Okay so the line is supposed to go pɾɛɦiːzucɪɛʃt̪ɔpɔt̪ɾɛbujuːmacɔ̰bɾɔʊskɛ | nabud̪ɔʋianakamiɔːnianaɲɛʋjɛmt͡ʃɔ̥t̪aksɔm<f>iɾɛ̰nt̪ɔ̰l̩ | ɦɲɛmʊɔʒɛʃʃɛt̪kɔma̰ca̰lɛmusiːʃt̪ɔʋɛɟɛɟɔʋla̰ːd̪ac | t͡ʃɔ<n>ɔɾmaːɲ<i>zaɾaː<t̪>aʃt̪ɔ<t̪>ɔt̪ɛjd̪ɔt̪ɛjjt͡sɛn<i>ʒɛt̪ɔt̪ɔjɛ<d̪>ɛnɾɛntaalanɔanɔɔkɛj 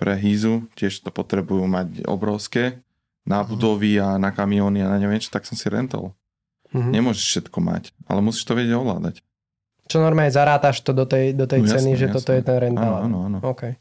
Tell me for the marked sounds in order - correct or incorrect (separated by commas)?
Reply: incorrect, correct, incorrect, correct, incorrect, correct, incorrect